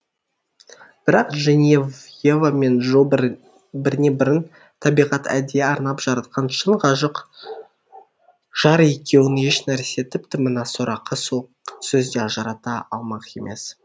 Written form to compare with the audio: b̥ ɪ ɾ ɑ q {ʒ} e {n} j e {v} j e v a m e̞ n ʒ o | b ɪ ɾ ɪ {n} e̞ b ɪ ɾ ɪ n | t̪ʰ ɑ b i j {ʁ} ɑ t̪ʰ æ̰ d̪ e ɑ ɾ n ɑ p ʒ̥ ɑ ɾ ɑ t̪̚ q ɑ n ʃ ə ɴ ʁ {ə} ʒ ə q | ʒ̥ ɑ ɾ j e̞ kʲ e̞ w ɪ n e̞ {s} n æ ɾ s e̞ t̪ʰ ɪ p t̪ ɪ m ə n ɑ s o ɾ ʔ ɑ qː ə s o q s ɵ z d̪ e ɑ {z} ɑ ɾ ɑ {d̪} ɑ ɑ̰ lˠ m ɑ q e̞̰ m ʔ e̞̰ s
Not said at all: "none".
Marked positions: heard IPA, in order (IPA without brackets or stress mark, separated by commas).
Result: ʒ, n, v, n, ʁ, ɑ, ʃ, ʒ, t̪